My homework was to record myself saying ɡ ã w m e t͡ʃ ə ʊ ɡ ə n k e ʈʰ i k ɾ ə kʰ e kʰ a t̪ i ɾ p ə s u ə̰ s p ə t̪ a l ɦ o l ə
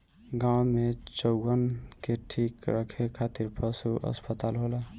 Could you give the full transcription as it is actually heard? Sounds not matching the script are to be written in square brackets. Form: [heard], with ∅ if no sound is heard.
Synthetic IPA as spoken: ɡ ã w m e t͡ʃ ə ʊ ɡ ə n k e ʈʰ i k ɾ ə kʰ e kʰ a t̪ i ɾ p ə s u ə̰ s p ə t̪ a l ɦ o l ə

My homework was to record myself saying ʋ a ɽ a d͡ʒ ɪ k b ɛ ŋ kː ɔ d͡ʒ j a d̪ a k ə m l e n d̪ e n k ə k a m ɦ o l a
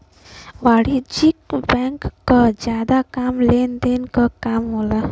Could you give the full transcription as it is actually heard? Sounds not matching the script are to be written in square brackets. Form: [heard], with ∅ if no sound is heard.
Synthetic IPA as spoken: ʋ a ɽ [i] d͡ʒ [i] k b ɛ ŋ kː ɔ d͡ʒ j a d̪ a k [a] m l e n d̪ e n k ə k a m ɦ o l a

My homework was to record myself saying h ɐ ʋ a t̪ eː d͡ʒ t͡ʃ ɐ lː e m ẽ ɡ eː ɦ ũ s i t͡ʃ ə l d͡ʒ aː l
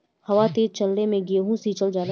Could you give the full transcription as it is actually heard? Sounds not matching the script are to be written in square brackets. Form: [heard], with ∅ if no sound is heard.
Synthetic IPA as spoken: h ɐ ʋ a t̪ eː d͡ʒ t͡ʃ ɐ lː e m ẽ ɡ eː ɦ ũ s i t͡ʃ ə l d͡ʒ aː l

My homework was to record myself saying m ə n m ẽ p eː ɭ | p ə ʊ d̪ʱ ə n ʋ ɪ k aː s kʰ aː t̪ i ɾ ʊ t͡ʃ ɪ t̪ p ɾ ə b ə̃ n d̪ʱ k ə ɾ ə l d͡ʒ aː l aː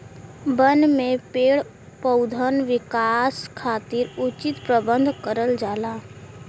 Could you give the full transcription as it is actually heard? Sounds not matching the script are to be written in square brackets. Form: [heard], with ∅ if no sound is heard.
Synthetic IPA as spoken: [b] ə n m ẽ p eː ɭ | p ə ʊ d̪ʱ ə n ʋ ɪ k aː s kʰ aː t̪ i ɾ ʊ t͡ʃ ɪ t̪ p ɾ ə b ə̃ n d̪ʱ k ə ɾ ə l d͡ʒ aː l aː

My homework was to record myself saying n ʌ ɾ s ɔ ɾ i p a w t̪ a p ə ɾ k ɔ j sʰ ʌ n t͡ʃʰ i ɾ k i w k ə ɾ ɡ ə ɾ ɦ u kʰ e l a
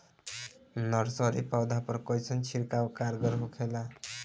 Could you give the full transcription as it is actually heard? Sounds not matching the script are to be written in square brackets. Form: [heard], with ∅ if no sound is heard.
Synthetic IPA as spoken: n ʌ ɾ s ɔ ɾ i p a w [d̪] a p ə ɾ k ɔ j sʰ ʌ n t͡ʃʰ i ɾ k [a] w k [a] ɾ ɡ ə ɾ ɦ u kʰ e l a

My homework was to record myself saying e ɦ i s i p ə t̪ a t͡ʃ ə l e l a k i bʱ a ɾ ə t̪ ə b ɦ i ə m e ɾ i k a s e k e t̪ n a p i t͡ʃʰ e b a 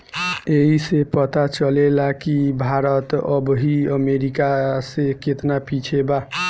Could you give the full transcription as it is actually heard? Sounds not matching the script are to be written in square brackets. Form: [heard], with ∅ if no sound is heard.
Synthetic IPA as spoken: e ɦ i s [e] p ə t̪ a t͡ʃ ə l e l a k i bʱ a ɾ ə t̪ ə b ɦ i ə m e ɾ i k a s e k e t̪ n a p i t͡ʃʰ e b a

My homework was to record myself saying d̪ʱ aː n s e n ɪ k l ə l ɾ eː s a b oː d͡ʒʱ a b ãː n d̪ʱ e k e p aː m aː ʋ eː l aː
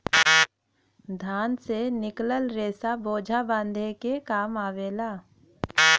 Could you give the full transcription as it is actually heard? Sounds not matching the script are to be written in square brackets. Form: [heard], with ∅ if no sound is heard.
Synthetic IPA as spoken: d̪ʱ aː n s e n ɪ k l ə l ɾ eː s a b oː d͡ʒʱ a b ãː n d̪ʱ e k e [k] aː m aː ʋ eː l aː

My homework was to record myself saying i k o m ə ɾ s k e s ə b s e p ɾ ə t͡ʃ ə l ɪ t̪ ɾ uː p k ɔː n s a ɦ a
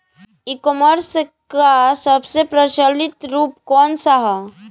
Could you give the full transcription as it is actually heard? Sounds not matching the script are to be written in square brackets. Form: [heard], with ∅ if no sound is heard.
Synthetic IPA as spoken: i k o m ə ɾ s k [a] s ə b s e p ɾ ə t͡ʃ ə l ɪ t̪ ɾ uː p k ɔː n s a ɦ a

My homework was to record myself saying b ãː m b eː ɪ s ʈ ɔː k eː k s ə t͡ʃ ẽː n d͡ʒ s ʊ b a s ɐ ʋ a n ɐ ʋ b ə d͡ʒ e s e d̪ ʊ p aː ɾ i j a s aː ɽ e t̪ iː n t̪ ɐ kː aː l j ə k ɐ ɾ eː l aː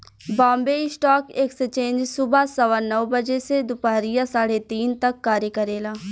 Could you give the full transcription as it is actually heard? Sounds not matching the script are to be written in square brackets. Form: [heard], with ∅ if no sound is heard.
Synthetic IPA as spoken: b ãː m b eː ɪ s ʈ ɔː k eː k s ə t͡ʃ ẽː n d͡ʒ s ʊ b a s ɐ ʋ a n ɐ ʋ b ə d͡ʒ e s e d̪ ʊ p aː ɾ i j a s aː ɽ e t̪ iː n t̪ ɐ kː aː [ɾ] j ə k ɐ ɾ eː l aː

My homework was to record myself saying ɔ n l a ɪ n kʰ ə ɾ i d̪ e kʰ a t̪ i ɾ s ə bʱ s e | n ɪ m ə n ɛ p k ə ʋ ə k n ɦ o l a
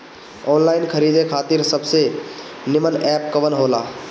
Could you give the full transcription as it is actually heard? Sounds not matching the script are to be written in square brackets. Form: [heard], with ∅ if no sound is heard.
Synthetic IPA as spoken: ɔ n l a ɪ n kʰ ə ɾ i d̪ e kʰ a t̪ i ɾ s ə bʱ s e | n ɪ m ə n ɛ p k ə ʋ ə [∅] n ɦ o l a

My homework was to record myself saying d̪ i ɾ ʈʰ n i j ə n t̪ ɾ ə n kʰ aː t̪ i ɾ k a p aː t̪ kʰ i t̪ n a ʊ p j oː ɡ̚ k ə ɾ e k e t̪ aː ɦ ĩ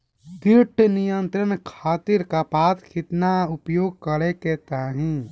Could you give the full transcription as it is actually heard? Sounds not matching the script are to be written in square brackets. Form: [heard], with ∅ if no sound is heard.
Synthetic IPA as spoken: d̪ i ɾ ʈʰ n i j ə n t̪ ɾ ə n kʰ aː t̪ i ɾ k a p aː t̪ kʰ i t̪ n a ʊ p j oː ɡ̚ k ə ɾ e k e t̪ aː ɦ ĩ

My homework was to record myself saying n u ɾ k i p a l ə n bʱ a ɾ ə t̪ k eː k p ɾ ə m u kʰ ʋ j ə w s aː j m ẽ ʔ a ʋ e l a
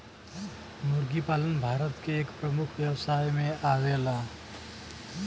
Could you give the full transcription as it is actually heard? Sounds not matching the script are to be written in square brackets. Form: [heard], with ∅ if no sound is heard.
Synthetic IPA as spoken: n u ɾ [ɡ] i p a l ə n bʱ a ɾ ə t̪ k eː k p ɾ ə m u kʰ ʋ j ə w s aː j m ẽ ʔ a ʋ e l a

